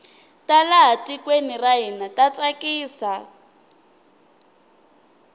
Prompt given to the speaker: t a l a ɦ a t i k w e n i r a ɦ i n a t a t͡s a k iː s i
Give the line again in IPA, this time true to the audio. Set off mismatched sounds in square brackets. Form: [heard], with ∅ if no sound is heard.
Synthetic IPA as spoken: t a l a ɦ a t i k w e n i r a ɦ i n a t a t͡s a k iː s [a]